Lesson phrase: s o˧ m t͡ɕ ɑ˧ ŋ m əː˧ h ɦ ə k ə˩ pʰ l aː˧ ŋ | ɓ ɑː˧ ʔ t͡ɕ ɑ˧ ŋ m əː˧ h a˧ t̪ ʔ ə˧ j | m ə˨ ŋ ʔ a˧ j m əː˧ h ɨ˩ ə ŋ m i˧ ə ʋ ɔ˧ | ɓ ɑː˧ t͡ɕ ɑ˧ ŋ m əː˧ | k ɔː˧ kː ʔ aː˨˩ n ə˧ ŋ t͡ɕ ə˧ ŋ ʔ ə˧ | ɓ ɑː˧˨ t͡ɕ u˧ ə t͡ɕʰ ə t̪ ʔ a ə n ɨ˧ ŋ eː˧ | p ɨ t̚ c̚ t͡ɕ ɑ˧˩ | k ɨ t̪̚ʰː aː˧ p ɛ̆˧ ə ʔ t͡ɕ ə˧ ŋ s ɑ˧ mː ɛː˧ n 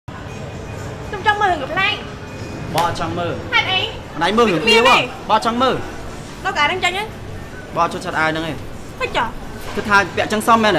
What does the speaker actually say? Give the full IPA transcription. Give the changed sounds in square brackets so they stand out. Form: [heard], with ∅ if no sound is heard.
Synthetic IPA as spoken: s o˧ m t͡ɕ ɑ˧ ŋ m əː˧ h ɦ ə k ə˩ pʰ l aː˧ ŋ | ɓ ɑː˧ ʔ t͡ɕ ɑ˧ ŋ m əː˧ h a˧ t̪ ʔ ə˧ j | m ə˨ [n] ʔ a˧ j m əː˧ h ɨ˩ ə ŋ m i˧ ə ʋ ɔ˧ | ɓ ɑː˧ t͡ɕ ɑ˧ ŋ m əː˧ | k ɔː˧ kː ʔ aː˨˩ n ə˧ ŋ t͡ɕ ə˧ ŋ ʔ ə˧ | ɓ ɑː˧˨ t͡ɕ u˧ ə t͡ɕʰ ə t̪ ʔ a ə n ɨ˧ ŋ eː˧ | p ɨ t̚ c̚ t͡ɕ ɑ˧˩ | k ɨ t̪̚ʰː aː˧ p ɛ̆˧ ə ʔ t͡ɕ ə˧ ŋ s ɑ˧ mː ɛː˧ n

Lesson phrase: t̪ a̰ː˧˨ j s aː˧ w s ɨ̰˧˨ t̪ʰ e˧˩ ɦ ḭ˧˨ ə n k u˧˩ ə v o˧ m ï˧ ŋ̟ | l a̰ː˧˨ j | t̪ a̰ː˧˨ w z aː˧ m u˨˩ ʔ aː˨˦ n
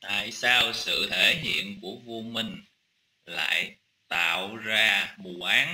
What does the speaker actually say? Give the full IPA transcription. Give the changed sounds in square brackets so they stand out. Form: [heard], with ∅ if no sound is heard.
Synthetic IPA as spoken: t̪ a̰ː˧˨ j s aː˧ w s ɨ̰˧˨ t̪ʰ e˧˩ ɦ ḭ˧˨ ə n k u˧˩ ə v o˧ m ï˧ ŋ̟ | l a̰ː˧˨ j | t̪ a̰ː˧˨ w z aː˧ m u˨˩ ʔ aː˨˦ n

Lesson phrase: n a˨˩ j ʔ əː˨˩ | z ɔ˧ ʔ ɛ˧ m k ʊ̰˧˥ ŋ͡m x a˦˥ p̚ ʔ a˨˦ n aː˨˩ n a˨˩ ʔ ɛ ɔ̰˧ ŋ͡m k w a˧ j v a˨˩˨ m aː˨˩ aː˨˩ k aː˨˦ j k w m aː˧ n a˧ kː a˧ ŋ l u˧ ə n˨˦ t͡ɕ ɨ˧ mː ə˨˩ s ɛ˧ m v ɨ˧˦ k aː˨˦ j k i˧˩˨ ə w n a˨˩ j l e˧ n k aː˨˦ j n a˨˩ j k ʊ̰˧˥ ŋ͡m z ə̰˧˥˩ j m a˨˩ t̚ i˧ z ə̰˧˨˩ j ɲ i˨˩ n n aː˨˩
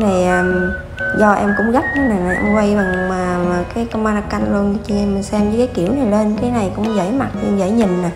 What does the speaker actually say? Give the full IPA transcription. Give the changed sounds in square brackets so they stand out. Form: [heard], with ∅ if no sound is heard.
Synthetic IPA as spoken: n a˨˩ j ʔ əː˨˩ | z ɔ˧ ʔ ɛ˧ m k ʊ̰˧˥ ŋ͡m [ɣ] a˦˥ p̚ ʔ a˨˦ n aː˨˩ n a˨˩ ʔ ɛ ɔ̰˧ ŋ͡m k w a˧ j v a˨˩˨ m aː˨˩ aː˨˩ k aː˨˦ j k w m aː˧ n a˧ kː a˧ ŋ l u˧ ə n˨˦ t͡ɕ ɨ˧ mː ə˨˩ s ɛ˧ m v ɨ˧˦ k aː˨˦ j k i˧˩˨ ə w n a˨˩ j l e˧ n k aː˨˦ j n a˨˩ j k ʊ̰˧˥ ŋ͡m z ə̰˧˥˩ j m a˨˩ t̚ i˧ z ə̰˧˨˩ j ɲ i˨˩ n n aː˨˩

